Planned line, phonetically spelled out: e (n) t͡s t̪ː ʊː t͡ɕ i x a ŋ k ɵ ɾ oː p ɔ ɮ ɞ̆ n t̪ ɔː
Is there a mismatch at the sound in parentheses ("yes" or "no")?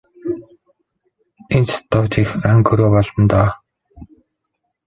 no